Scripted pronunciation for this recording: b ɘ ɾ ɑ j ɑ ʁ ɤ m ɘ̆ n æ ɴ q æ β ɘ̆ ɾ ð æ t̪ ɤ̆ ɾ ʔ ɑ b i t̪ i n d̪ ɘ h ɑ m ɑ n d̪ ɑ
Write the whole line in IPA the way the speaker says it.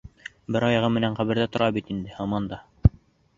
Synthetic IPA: b ɘ ɾ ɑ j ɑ ʁ ɤ m ɘ̆ n æ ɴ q æ β ɘ̆ ɾ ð æ t̪ ŏ ɾ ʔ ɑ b i t̪ i n d̪ ɘ h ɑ m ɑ n d̪ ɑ

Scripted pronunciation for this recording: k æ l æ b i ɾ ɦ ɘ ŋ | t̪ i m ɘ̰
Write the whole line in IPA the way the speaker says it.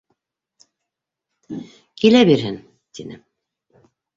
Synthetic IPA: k i l æ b i ɾ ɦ ɘ n | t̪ i n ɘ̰

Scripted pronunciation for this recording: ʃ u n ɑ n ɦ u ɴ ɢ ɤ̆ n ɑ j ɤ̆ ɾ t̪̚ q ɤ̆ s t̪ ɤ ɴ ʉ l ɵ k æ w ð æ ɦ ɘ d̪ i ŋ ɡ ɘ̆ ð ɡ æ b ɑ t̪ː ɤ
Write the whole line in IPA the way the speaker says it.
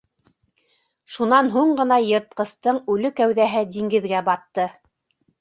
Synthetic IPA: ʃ u n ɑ n ɦ u ɴ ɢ ɤ̆ n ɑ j ɤ̆ ɾ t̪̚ q ɤ̆ s t̪ ɤ ɴ ʉ l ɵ k æ w ð æ ɦ ɘ d̪ i ŋ ɡ ɘ̆ ð ɡ æ b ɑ t̪ː ɤ

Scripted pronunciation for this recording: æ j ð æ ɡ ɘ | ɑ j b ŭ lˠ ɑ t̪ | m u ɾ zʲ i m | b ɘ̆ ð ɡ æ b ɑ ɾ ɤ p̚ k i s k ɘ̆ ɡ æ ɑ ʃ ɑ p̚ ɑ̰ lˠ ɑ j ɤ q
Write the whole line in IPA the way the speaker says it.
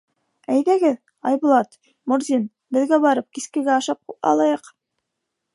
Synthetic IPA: æ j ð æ ɡ ɘ | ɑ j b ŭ lˠ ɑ t̪ | m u ɾ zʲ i n | b ɘ̆ ð ɡ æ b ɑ ɾ ɤ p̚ k i s k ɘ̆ ɡ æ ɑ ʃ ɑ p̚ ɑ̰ lˠ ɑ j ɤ q

